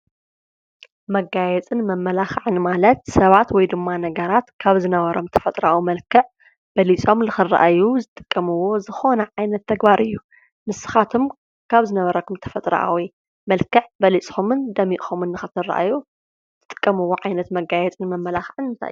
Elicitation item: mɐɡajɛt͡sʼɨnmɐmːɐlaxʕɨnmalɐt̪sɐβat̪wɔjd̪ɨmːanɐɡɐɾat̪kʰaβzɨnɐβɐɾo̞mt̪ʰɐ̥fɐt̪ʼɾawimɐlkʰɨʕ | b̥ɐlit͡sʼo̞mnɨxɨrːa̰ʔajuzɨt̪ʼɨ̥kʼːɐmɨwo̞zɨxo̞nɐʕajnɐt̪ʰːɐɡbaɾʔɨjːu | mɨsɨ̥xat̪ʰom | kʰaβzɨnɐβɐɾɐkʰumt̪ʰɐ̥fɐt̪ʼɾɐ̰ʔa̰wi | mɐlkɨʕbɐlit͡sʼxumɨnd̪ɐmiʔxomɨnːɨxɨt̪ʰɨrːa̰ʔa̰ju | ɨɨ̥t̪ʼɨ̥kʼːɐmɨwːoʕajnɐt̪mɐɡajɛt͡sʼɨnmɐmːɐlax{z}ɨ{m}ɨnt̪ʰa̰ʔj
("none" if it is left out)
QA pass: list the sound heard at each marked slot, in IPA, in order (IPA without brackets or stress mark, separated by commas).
ʕ, n